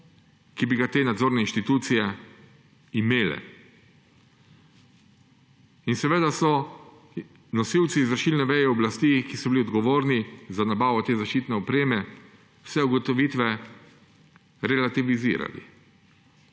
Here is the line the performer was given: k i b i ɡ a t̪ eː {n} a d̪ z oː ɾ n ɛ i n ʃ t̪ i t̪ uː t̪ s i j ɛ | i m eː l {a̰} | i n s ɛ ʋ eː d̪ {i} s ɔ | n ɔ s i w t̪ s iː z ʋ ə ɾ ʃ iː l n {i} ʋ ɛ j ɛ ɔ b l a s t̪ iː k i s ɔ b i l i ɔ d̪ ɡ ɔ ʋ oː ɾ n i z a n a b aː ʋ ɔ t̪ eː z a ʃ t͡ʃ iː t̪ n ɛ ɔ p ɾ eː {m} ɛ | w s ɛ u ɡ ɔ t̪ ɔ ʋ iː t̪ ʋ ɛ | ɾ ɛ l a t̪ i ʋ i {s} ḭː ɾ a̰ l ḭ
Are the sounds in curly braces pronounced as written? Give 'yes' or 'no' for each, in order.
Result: yes, no, no, no, yes, no

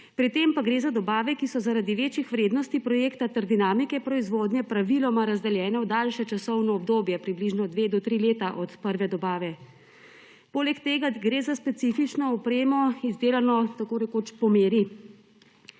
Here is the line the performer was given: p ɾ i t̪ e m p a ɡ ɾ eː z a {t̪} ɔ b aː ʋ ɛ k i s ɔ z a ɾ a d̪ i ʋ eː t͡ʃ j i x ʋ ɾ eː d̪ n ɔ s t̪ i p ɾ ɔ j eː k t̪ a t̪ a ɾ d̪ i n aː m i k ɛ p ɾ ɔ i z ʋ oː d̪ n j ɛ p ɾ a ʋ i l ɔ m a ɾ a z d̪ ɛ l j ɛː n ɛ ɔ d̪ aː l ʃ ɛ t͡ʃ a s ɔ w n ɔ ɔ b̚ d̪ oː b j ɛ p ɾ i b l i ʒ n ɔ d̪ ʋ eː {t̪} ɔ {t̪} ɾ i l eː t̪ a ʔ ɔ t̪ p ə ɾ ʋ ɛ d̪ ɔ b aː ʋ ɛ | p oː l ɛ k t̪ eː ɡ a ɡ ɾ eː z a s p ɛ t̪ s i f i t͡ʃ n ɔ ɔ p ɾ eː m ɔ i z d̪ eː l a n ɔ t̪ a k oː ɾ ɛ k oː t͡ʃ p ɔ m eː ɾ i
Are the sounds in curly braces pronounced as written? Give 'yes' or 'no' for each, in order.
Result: no, no, yes

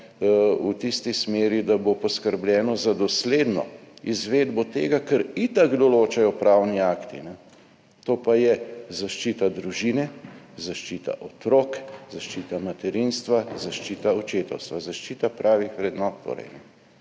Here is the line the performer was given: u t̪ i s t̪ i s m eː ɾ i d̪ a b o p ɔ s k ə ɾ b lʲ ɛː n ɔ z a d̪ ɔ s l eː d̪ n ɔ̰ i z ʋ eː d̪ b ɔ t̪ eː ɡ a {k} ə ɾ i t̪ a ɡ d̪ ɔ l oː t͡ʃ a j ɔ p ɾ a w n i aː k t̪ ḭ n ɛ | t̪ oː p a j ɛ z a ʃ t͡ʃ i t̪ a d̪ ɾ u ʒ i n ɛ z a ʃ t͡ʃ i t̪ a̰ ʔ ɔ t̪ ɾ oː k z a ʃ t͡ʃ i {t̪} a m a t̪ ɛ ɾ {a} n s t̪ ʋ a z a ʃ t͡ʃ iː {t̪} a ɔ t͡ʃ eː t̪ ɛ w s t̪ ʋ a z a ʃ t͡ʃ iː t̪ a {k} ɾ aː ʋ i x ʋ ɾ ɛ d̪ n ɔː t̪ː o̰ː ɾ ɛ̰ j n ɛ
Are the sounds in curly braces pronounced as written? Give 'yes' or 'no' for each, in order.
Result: yes, yes, no, yes, no

